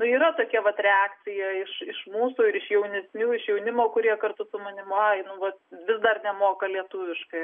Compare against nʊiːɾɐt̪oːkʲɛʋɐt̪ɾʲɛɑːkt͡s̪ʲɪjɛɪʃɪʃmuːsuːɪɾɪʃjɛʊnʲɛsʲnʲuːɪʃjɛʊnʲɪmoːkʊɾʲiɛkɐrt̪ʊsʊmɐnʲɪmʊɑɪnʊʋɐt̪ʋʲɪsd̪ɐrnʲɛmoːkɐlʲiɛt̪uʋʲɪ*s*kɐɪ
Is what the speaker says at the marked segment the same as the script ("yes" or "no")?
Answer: no